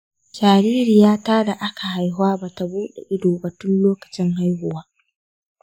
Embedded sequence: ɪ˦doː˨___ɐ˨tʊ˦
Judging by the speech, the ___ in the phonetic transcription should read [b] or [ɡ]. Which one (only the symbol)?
b